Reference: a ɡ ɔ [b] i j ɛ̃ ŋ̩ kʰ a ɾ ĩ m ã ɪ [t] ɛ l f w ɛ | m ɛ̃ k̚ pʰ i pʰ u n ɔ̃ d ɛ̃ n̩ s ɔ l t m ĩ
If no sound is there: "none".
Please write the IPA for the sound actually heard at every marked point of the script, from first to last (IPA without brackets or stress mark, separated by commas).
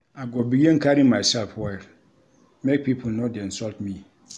b, s